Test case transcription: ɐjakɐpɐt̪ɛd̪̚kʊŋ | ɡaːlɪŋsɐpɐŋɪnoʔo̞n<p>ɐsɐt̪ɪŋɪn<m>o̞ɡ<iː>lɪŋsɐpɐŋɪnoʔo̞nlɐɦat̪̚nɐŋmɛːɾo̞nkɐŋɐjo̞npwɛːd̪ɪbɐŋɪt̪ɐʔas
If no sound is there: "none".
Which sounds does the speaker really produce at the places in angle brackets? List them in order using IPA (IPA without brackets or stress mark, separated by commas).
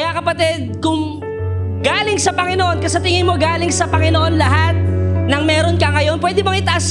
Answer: k, m, aː